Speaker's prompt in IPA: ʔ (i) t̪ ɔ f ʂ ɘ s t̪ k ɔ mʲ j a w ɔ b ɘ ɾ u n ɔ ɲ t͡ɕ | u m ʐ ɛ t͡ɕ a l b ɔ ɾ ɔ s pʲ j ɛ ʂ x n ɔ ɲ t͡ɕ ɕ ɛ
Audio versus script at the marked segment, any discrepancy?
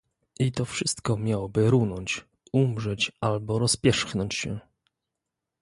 no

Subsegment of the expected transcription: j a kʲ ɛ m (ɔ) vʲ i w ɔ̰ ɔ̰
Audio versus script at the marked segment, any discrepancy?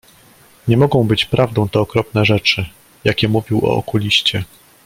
yes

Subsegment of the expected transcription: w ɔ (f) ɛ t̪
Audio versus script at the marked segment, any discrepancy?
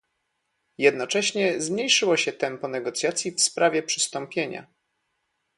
yes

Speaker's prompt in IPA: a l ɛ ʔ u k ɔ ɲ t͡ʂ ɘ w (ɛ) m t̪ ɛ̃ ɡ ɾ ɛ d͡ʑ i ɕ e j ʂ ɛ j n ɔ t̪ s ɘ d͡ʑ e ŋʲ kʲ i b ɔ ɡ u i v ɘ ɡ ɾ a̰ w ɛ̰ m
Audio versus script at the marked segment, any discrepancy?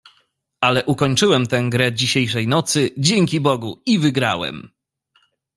no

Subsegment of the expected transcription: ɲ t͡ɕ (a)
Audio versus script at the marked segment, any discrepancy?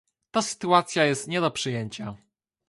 no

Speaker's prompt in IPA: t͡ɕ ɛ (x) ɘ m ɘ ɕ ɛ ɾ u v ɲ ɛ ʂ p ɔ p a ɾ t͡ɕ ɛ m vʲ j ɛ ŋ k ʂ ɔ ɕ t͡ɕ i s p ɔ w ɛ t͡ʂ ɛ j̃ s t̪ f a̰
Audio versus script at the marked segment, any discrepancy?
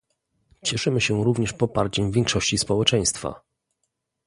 yes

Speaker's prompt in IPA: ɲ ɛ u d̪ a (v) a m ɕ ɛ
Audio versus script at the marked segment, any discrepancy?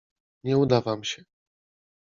no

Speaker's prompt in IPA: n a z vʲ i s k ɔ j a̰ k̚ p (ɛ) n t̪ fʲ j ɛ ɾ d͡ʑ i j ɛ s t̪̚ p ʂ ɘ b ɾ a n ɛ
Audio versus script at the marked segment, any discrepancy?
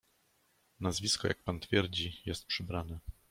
yes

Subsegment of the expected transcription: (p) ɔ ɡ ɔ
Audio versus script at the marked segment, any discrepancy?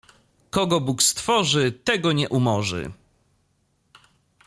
yes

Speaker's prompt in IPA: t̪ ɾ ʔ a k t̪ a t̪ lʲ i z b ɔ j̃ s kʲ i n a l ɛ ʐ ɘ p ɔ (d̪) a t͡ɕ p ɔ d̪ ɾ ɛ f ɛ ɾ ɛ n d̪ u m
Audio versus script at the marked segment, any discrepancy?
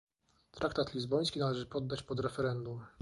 yes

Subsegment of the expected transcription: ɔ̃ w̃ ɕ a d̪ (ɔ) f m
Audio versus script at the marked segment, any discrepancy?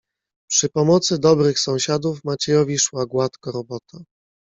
yes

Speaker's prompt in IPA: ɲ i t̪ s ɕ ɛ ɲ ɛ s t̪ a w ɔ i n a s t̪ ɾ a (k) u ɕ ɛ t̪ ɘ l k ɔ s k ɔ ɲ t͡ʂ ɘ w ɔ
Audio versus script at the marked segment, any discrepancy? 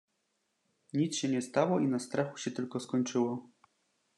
yes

